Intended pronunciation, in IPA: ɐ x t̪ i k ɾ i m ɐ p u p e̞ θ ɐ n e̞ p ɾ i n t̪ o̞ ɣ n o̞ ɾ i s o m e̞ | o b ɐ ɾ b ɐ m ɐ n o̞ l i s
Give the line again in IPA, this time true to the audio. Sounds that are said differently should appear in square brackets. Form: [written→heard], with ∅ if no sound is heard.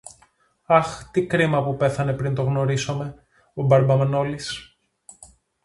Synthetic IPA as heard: ɐ x t̪ i k ɾ i m ɐ p u p e̞ θ ɐ n e̞ p ɾ i n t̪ o̞ ɣ n o̞ ɾ i s o m e̞ | o b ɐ ɾ b ɐ m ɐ n o̞ l i s

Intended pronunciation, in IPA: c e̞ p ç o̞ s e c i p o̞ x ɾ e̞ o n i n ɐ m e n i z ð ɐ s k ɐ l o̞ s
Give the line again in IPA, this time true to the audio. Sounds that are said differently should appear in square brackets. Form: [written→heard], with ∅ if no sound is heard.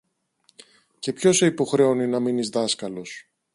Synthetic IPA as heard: c e̞ p ç o̞ s e [c→∅] i p o̞ x ɾ e̞ o n i n ɐ m [e→i] n i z ð ɐ s k ɐ l o̞ s

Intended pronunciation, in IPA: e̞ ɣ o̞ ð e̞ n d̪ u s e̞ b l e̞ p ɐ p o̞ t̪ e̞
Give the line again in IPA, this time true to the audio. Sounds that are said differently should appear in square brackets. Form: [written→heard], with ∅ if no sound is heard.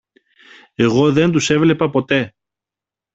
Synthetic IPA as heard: e̞ ɣ o̞ ð e̞ n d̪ u s e̞ [b→v] l e̞ p ɐ p o̞ t̪ e̞

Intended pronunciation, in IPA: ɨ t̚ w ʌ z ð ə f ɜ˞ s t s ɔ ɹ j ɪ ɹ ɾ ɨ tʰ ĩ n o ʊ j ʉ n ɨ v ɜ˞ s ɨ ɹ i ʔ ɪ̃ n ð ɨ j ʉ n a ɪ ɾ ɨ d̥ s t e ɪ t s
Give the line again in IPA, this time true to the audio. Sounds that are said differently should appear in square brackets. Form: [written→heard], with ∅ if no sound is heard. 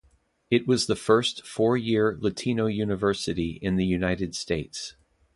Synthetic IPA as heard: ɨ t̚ w ʌ z ð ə f ɜ˞ s t [s→f] ɔ ɹ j ɪ ɹ [ɾ→l] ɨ tʰ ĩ n o ʊ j ʉ n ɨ v ɜ˞ s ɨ [ɹ→ɾ] i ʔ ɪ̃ n ð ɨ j ʉ n a ɪ ɾ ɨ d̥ s t e ɪ t s

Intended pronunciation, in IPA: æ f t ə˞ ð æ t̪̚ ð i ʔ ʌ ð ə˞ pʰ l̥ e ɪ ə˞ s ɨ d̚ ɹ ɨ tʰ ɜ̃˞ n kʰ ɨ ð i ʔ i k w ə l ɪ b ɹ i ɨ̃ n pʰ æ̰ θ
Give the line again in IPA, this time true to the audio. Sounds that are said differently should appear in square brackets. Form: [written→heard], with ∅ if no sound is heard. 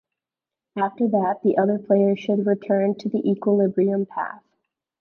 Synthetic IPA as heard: æ f t ə˞ ð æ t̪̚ ð i ʔ ʌ ð ə˞ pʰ l̥ e ɪ ə˞ [s→ʃ] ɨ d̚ ɹ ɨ tʰ ɜ̃˞ n [kʰ→tʰ] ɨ ð i ʔ i k w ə l ɪ b ɹ i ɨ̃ [n→m] pʰ æ̰ θ

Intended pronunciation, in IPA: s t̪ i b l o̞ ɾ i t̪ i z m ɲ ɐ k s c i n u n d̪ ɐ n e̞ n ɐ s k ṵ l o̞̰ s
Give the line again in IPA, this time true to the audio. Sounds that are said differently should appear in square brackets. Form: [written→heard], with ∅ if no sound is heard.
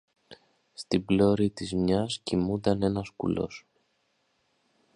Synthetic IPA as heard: s t̪ i b l o̞ ɾ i t̪ i z m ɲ ɐ [k→∅] s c i [n→m] u n d̪ ɐ n e̞ n ɐ s k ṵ l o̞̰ s

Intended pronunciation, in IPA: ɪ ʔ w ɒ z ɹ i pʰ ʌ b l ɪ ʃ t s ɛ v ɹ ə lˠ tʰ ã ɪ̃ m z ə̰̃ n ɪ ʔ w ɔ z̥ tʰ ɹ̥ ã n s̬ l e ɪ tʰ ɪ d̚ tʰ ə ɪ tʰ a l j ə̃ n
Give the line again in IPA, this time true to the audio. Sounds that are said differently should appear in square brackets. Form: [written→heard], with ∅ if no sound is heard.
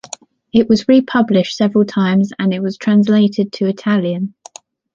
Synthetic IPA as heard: ɪ ʔ w ɒ z ɹ i pʰ ʌ b l ɪ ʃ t s ɛ v ɹ ə lˠ tʰ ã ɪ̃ m z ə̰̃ n ɪ ʔ w [ɔ→ɒ] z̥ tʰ ɹ̥ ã n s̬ l e ɪ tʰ ɪ d̚ tʰ ə ɪ tʰ a l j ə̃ n

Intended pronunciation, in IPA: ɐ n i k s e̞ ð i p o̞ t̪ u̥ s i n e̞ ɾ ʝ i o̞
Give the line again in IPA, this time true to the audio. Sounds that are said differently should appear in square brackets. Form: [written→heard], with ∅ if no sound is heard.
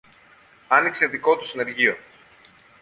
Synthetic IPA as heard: ɐ n i k s e̞ ð i [p→k] o̞ t̪ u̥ s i n e̞ ɾ ʝ i o̞

